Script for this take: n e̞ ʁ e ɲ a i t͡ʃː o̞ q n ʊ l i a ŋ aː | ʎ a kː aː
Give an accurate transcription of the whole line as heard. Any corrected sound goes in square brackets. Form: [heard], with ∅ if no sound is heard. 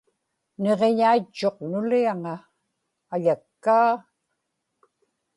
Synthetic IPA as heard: n e̞ ʁ e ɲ a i t͡ʃː o̞ q n ʊ l i a ŋ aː | ʎ a kː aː